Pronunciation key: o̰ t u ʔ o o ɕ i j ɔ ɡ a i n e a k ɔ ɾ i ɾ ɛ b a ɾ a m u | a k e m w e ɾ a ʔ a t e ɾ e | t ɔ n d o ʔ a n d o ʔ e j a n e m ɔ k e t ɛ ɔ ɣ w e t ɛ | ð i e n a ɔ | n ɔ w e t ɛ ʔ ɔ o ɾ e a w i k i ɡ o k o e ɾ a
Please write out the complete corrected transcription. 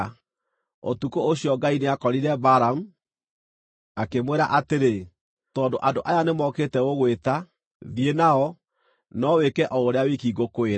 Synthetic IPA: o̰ t u k o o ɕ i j ɔ ɡ a i n e a k ɔ ɾ i ɾ ɛ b a ɾ a m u | a k e m w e ɾ a ʔ a t e ɾ e | t ɔ n d o ʔ a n d o ʔ a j a n e m ɔ k e t ɛ o ɣ w e t a | ð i e n a ɔ | n ɔ w e k ɛ ʔ ɔ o ɾ e a w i k i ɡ o k o e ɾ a